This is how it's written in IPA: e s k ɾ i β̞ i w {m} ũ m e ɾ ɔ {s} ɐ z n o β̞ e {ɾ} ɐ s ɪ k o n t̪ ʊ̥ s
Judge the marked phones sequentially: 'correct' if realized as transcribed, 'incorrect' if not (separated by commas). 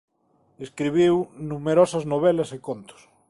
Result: incorrect, correct, incorrect